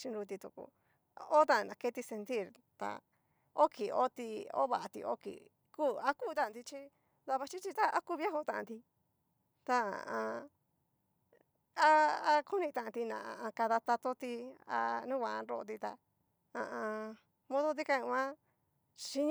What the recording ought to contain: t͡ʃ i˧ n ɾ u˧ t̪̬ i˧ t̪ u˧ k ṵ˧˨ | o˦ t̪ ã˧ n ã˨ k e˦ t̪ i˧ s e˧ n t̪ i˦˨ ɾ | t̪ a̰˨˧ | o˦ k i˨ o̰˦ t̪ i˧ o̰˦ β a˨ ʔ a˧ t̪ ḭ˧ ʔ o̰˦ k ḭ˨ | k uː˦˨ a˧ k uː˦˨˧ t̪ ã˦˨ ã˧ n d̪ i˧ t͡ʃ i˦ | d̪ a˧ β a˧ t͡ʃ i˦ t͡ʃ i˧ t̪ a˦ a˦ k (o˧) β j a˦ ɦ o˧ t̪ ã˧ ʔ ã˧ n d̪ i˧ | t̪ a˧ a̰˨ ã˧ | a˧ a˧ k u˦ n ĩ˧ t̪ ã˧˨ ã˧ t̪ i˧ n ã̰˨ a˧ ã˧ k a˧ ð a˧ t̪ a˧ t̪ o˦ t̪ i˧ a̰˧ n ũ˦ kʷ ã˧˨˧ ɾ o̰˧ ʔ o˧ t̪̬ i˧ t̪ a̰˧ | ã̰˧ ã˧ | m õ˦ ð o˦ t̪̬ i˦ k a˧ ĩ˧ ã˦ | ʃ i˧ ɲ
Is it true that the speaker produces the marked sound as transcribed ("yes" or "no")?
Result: no